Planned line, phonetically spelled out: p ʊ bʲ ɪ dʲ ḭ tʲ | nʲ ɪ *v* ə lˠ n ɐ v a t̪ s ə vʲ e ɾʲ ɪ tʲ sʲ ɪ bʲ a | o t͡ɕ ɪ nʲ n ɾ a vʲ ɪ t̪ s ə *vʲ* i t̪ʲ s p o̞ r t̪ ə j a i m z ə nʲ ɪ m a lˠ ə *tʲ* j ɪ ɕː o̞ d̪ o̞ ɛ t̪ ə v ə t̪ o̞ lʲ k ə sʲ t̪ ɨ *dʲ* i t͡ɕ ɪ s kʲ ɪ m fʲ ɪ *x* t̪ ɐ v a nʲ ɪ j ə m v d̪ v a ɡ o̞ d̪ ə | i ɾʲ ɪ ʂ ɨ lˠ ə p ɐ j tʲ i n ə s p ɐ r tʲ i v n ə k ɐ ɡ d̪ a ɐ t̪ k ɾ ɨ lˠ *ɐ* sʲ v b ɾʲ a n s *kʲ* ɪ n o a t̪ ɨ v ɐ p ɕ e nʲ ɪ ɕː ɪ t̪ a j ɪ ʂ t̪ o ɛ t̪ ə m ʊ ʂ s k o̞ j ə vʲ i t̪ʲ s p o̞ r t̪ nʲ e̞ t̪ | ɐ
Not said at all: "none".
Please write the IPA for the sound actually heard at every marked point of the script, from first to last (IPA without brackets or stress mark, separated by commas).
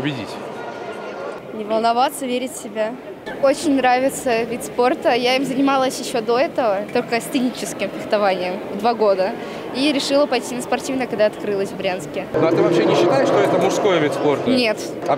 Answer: v, vʲ, sʲ, nʲ, x, ə, kʲ